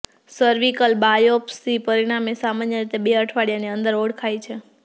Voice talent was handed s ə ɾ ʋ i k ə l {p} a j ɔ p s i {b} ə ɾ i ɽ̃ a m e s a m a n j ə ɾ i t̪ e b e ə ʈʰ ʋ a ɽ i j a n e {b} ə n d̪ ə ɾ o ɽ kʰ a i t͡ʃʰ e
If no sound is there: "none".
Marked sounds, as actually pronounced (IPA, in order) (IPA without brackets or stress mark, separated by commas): b, p, none